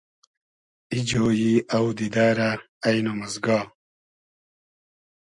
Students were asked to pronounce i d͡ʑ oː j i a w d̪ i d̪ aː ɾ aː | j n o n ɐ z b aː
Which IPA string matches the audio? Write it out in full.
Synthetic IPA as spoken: i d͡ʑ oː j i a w d̪ i d̪ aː ɾ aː | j n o m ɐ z ɡ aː

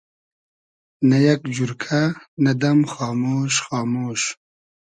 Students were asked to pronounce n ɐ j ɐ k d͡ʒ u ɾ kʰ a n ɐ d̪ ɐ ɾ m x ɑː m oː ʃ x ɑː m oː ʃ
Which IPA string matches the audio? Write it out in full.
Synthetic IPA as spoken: n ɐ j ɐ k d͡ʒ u ɾ kʰ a n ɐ d̪ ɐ m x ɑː m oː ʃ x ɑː m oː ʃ

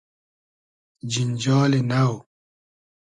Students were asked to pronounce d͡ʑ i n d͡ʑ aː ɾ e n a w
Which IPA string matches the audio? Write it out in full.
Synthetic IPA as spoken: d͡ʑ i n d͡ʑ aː l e n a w

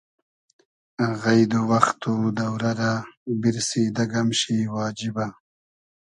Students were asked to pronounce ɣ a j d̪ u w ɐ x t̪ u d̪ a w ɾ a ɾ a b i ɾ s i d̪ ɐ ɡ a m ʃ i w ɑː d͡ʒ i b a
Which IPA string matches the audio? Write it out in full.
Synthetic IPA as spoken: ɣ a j d̪ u w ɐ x t̪ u d̪ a w ɾ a ɾ a b i ɾ s i d̪ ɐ ɡ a m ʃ i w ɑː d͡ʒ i b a

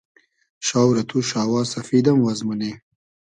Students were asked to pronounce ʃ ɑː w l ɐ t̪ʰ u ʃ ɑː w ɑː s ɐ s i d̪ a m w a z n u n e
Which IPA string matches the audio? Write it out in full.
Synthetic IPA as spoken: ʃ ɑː w ɾ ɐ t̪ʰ u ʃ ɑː w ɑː s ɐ f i d̪ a m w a z m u n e

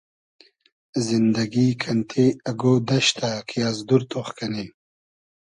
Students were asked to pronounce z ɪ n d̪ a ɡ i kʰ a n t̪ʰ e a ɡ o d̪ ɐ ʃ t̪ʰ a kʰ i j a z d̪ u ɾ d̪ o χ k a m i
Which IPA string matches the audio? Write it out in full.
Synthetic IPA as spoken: z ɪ n d̪ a ɡ i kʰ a n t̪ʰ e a ɡ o d̪ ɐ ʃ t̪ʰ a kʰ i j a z d̪ u ɾ t̪ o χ k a n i

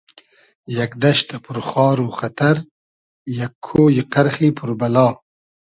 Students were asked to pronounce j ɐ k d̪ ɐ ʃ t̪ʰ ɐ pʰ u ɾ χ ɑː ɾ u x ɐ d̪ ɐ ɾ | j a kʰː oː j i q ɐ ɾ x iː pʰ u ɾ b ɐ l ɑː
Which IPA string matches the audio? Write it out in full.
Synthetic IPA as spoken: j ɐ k d̪ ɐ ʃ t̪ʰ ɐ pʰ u ɾ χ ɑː ɾ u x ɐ t̪ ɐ ɾ | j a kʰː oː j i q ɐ ɾ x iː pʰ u ɾ b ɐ l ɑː

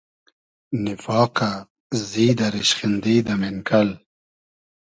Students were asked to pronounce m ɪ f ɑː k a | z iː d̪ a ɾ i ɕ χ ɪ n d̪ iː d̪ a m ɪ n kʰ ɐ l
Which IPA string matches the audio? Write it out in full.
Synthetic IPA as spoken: n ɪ f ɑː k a | z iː d̪ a ɾ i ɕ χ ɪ n d̪ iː d̪ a m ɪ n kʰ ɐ l

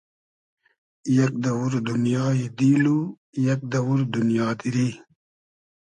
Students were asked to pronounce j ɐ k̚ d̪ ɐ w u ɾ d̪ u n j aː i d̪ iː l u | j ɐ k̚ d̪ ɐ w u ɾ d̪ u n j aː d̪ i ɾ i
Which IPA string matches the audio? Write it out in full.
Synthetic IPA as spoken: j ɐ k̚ d̪ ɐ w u ɾ d̪ u n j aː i d̪ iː l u | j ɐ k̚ d̪ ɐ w u ɾ d̪ u n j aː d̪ i ɾ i

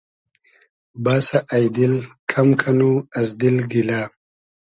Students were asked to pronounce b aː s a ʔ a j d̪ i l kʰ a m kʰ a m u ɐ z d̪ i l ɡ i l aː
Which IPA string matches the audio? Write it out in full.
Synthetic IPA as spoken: b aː s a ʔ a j d̪ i l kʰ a m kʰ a n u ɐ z d̪ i l ɡ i l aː

